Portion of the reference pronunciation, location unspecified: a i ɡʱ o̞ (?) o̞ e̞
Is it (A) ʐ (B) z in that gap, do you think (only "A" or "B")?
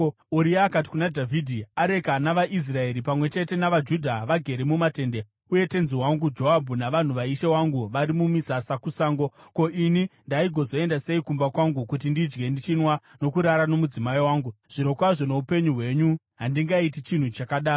B